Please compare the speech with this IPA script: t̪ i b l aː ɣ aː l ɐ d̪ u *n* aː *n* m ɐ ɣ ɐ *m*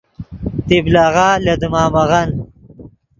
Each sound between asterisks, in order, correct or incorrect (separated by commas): incorrect, incorrect, incorrect